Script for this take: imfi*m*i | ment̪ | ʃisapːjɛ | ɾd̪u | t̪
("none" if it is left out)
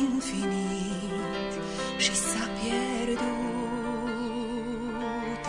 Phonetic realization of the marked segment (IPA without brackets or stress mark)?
n